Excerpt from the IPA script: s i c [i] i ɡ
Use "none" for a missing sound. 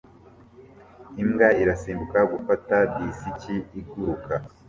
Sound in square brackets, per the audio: i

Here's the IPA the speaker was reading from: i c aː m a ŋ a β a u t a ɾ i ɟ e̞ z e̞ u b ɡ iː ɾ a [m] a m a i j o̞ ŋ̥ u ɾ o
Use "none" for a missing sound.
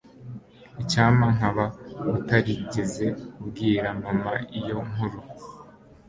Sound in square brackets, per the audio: m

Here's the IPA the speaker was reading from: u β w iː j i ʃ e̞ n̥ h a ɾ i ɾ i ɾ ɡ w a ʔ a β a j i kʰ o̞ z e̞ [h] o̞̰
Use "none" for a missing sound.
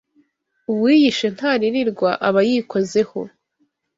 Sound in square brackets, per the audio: h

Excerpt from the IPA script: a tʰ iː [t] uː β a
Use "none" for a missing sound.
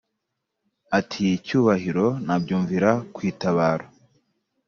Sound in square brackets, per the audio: c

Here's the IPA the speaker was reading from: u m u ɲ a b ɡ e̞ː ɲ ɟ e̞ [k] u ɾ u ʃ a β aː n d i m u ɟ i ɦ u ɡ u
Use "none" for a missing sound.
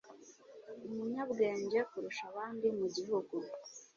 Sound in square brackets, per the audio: k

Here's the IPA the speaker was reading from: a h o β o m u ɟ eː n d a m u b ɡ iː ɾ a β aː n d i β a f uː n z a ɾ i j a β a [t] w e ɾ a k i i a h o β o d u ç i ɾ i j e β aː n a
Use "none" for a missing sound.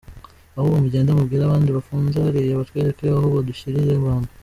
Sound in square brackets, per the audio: t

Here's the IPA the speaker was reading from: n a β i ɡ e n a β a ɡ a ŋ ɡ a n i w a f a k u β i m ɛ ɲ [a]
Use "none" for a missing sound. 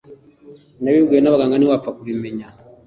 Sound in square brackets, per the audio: a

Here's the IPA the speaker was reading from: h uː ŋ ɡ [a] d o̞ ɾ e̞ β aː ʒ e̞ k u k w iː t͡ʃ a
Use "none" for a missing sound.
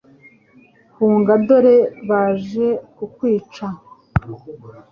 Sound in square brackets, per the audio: a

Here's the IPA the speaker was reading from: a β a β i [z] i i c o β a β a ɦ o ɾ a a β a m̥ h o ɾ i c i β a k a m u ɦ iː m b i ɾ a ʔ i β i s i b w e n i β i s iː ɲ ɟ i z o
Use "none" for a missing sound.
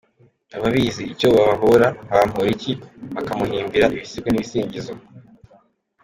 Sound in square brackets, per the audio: z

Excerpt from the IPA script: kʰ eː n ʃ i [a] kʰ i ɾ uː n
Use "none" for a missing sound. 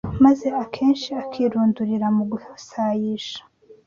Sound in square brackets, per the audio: a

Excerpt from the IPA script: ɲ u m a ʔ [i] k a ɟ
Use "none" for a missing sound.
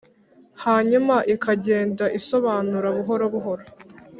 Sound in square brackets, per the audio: i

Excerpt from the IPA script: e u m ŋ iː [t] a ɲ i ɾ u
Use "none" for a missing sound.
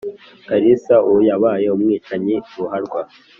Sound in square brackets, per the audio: t͡ʃ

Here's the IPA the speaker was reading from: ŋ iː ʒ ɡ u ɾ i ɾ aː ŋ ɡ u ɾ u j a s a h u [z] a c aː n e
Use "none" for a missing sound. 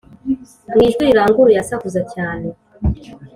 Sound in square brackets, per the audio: z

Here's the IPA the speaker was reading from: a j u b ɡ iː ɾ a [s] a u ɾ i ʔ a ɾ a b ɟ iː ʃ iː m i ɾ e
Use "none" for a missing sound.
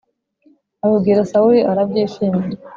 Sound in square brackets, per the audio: s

